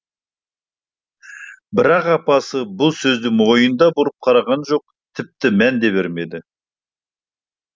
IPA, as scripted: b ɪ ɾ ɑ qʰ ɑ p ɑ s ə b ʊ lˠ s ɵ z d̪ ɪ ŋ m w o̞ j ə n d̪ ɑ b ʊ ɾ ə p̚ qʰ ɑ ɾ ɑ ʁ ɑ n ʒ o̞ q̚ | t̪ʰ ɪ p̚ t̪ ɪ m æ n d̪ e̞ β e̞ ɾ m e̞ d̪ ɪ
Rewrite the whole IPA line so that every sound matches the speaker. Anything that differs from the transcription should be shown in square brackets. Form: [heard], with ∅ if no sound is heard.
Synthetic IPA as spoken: b ɪ ɾ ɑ [q] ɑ p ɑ s ə b ʊ lˠ s ɵ z d̪ ɪ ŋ m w o̞ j ə n d̪ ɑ b ʊ ɾ ə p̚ qʰ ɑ ɾ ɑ ʁ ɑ n ʒ o̞ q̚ | t̪ʰ ɪ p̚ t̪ ɪ m æ n d̪ e̞ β e̞ ɾ m e̞ d̪ ɪ